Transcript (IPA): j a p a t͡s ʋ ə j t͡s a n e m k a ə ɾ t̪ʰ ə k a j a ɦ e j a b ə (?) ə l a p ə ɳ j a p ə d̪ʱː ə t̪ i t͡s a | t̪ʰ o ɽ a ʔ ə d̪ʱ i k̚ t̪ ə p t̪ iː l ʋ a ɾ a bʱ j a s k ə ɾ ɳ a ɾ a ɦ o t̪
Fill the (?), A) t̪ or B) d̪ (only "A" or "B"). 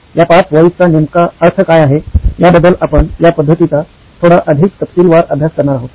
B